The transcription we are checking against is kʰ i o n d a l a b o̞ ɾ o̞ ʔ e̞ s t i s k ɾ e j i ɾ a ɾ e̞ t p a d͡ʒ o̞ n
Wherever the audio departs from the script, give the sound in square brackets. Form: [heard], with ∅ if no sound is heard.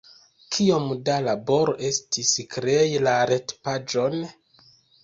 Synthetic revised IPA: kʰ i o [m] d a l a b o̞ ɾ o̞ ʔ e̞ s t i s k ɾ e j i [l] a ɾ e̞ t p a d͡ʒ o̞ n